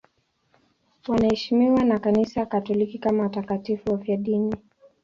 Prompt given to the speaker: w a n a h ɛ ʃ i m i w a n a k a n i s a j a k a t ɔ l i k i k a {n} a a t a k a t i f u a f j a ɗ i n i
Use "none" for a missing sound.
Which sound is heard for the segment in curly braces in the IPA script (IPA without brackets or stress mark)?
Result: m